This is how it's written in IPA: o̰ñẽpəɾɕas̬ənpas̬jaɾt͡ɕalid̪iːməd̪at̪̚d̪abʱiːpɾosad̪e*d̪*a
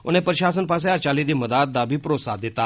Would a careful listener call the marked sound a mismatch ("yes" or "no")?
yes